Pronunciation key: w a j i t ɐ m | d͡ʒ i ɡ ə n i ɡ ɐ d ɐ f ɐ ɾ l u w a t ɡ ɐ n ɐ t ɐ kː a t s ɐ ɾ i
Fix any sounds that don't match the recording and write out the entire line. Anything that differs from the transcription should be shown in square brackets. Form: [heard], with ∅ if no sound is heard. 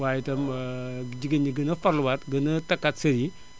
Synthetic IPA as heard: w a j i t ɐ m | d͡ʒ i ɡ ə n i ɡ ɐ [n] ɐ f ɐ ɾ l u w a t ɡ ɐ n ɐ t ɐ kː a t s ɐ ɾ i